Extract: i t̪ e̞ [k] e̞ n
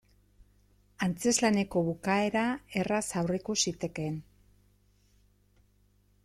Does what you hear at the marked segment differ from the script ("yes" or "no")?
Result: no